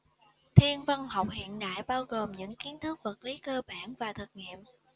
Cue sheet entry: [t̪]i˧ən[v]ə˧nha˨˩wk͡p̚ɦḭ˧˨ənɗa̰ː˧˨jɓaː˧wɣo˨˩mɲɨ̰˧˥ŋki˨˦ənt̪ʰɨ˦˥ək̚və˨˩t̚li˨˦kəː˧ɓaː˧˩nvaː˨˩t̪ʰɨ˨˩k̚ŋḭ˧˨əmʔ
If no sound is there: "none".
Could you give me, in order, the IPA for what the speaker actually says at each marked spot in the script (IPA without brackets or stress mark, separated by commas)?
t̪ʰ, v